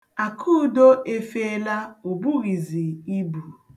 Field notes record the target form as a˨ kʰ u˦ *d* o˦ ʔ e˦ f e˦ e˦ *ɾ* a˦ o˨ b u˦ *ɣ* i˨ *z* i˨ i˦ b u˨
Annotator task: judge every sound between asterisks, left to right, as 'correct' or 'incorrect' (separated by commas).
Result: correct, incorrect, correct, correct